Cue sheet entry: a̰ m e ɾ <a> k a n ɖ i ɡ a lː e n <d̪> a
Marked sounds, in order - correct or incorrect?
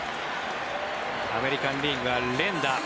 incorrect: i, correct

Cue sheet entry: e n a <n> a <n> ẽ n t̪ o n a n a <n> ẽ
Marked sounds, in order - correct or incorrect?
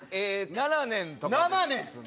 correct, correct, correct

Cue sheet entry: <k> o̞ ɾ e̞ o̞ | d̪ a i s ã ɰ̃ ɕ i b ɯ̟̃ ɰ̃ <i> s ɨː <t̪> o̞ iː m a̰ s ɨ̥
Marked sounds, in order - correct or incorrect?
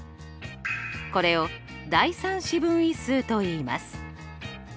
correct, correct, correct

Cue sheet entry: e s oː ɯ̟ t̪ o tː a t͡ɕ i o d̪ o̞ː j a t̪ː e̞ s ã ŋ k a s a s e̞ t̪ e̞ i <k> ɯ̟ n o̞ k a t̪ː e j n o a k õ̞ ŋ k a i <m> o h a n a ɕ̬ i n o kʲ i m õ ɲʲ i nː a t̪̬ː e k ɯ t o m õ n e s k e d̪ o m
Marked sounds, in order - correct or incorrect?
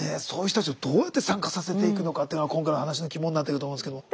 correct, incorrect: n

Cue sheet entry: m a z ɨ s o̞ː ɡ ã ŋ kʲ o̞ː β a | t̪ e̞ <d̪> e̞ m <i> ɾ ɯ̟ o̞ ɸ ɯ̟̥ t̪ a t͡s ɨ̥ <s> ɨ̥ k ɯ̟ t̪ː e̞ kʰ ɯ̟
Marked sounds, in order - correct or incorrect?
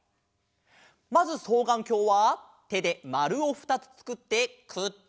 correct, incorrect: a, incorrect: t͡s

